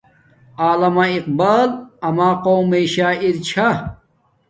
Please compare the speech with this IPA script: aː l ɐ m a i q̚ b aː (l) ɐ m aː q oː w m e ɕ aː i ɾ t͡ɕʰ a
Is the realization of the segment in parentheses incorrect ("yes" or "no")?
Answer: no